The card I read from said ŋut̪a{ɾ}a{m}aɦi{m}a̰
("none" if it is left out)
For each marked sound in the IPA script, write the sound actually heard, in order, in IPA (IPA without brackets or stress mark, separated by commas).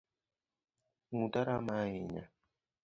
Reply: ɾ, m, ɲ